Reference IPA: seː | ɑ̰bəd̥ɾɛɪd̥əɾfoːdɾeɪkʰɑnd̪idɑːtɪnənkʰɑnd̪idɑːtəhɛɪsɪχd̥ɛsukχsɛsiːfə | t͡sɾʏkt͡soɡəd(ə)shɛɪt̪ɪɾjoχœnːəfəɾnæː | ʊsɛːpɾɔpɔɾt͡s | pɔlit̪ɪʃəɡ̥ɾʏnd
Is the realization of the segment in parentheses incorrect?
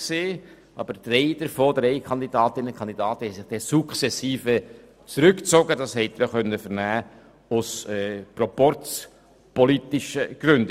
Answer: yes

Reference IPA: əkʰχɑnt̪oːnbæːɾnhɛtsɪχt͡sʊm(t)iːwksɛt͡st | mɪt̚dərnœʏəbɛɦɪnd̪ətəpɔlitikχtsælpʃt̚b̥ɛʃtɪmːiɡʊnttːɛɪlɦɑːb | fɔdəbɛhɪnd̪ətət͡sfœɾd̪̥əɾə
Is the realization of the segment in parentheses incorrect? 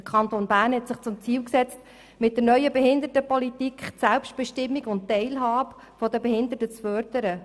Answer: yes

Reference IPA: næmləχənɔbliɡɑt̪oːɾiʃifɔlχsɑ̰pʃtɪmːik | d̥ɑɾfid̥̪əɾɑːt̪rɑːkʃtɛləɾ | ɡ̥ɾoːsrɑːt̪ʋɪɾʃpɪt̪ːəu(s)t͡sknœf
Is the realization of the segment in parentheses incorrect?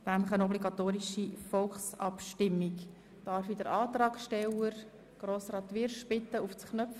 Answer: yes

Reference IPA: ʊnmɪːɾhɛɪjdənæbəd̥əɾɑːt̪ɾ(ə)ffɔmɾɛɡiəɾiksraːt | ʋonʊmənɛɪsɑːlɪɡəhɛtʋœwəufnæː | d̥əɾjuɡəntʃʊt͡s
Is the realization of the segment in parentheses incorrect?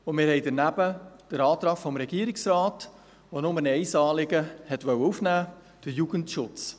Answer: yes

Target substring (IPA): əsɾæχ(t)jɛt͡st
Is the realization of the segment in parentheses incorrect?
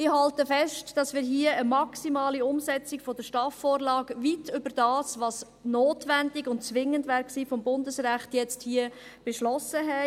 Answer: no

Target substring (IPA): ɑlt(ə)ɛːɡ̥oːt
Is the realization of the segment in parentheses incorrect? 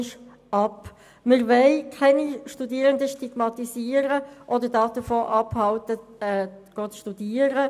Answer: no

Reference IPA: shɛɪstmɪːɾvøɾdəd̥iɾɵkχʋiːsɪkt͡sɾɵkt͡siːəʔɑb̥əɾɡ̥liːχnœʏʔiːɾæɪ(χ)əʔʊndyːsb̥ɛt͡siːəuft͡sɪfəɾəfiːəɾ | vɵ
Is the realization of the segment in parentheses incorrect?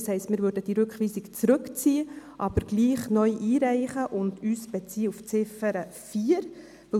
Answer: no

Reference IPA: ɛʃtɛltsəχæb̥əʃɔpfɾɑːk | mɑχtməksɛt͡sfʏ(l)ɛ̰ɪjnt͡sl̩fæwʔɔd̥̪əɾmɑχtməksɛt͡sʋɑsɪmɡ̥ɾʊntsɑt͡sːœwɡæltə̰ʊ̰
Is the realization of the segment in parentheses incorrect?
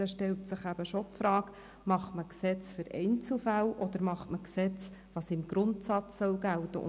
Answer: yes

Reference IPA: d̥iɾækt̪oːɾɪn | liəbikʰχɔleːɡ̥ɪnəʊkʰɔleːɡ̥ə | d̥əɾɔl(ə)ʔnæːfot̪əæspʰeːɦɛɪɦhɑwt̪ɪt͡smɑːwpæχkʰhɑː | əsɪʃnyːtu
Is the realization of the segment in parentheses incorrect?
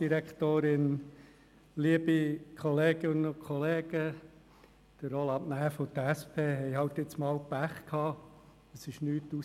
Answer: yes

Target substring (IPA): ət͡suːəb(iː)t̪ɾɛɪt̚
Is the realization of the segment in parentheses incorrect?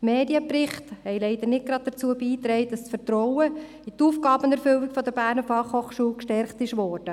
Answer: no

